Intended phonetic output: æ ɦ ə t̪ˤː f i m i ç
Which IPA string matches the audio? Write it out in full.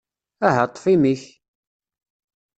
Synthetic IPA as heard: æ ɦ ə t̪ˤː f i m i ç